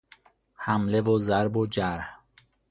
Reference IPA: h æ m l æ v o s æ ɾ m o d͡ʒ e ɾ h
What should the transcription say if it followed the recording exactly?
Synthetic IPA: h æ m l e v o z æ ɾ b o d͡ʒ æ ɾ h